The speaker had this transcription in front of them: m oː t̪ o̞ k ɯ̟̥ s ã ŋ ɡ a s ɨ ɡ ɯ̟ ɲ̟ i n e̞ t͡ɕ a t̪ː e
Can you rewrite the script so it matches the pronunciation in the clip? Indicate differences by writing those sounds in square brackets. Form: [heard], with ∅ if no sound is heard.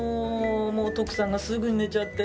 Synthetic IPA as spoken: m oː t̪ o̞ k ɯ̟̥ s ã ŋ ɡ a s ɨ ɡ ɯ̟ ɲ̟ i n e̞ t͡ɕ a t̪ː e